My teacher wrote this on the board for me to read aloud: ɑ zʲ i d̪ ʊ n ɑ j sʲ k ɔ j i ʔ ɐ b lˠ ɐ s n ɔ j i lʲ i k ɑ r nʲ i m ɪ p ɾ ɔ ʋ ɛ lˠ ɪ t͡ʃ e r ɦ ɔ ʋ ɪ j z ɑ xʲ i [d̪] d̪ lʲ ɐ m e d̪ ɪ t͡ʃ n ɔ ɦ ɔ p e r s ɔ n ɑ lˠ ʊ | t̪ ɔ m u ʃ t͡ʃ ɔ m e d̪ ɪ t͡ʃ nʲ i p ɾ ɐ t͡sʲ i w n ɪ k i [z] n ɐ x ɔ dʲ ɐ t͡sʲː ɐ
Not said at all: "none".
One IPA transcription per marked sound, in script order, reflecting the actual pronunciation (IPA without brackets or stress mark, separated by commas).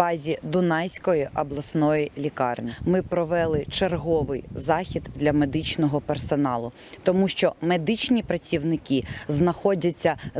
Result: d̪, z